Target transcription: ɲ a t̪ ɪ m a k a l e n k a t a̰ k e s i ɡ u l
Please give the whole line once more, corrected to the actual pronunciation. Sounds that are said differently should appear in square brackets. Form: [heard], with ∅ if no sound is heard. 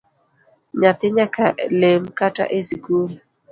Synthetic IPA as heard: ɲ a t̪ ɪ [ɲ] a k a l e [m] k a t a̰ [ʔ] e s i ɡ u l